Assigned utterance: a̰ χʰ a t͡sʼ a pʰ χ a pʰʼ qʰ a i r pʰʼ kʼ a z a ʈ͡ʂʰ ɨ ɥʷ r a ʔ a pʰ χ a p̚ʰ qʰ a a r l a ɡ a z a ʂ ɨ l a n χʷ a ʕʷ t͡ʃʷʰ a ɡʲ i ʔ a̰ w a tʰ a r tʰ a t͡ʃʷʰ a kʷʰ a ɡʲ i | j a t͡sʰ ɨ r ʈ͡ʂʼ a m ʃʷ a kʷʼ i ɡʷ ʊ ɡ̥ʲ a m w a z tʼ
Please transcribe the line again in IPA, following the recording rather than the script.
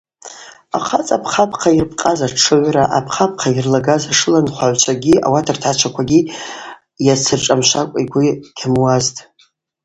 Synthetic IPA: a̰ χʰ a t͡sʼ a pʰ χ a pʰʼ qʰ a i r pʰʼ qʼ a z a ʈ͡ʂʰ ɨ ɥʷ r a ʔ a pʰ χ a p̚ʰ qʰ a i r l a ɡ a z a ʂ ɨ l a n χʷ a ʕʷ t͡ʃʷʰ a ɡʲ i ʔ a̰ w a tʰ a r tʰ a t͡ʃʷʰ a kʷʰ a ɡʲ i | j a t͡sʰ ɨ r ʈ͡ʂʼ a m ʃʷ a kʷʼ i ɡʷ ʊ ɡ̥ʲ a m w a z tʼ